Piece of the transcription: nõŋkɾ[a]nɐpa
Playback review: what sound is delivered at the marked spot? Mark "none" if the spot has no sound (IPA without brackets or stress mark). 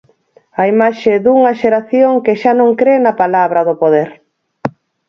e